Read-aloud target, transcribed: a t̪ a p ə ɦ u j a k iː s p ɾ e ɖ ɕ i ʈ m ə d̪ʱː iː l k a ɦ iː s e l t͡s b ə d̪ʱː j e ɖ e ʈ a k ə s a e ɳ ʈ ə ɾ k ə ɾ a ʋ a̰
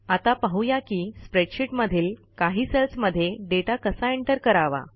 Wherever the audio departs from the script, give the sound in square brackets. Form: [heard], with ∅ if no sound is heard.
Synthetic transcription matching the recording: a t̪ a p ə ɦ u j a k iː s p ɾ e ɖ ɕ i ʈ m ə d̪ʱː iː l k a ɦ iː s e l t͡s [m] ə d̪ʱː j e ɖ e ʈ a k ə s a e ɳ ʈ ə ɾ k ə ɾ a ʋ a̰

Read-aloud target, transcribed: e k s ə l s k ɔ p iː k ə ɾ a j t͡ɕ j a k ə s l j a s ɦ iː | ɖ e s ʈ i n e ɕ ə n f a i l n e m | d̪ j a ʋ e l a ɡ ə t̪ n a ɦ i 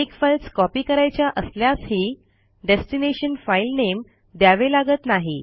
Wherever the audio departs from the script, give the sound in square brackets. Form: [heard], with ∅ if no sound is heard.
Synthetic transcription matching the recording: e k [f] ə l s k ɔ p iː k ə ɾ a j t͡ɕ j a [ʔ] ə s l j a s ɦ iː | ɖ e s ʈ i n e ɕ ə n f a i l n e m | d̪ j a ʋ e l a ɡ ə t̪ n a ɦ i

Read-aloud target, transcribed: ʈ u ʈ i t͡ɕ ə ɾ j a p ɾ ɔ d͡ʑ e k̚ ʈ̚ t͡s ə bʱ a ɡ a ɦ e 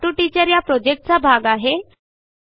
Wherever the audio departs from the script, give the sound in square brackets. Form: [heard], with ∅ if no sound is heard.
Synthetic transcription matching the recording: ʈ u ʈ i t͡ɕ ə ɾ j a p ɾ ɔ d͡ʑ e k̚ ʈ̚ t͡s [a] bʱ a ɡ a ɦ e

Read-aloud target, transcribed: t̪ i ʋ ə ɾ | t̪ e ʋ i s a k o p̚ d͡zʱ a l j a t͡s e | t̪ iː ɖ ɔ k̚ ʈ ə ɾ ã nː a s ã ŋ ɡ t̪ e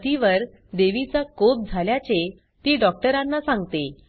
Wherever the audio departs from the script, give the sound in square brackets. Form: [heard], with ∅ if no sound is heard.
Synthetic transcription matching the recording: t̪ i ʋ ə ɾ | [d̪] e ʋ i [t͡s] a k o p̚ d͡zʱ a l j a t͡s e | t̪ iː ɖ ɔ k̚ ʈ ə ɾ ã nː a s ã ŋ ɡ t̪ e

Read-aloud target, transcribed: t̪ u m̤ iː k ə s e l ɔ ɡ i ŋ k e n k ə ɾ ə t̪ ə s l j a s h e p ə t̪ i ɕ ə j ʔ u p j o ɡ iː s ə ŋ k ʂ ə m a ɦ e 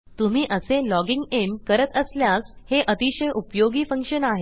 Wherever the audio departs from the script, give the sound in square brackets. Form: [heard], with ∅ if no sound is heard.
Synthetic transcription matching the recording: t̪ u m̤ iː [ʔ] ə s e l ɔ ɡ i ŋ [ɡ] e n k ə ɾ ə t̪ ə s l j a s h e [ʔ] ə t̪ i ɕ ə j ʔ u p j o ɡ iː [f] ə ŋ k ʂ ə [n] a ɦ e

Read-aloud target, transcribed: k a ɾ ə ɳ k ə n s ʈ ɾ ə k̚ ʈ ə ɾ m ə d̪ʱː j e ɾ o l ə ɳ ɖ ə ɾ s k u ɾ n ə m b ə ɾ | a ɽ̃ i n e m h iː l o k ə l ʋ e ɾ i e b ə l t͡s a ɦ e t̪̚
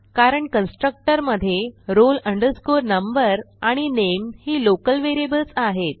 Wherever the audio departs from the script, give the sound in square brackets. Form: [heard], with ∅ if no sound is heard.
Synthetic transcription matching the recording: k a ɾ ə ɳ k ə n s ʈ ɾ ə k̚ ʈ ə ɾ m ə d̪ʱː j e ɾ o l ə ɳ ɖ ə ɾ s k u ɾ n ə m b ə ɾ | a ɽ̃ i n e m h iː l o k ə l ʋ e ɾ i e b ə l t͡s a ɦ e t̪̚

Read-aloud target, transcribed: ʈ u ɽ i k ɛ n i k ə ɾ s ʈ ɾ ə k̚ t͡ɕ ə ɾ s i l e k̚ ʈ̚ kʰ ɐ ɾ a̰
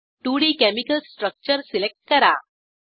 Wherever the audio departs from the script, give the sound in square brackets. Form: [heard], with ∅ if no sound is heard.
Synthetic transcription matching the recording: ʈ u ɽ i k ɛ [m] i k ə [l] s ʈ ɾ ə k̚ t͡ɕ ə ɾ s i l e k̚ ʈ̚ [k] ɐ ɾ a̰

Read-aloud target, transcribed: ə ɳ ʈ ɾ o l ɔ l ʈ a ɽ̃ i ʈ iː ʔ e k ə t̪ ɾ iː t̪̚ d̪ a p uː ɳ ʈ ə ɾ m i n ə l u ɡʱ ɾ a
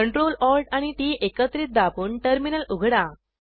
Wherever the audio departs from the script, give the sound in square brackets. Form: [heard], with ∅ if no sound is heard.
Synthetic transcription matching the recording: ə ɳ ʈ ɾ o l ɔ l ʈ a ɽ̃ i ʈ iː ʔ e k ə t̪ ɾ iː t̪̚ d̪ a p uː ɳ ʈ ə ɾ m i n ə l u ɡʱ [ɽ] a

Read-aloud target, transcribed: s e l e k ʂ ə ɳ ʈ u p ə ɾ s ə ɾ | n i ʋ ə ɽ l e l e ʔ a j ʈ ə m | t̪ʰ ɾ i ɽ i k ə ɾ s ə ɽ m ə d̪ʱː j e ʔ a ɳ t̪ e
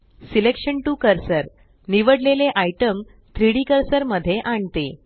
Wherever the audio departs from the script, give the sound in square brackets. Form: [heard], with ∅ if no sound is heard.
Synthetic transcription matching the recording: s [i] l e k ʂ ə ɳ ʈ u [k] ə ɾ s ə ɾ | n i ʋ ə ɽ l e l e ʔ a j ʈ ə m | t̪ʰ ɾ i ɽ i k ə ɾ s ə [ɾ] m ə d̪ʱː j e ʔ a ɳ t̪ e

